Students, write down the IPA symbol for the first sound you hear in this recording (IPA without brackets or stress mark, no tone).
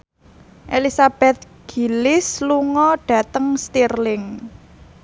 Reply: ʔ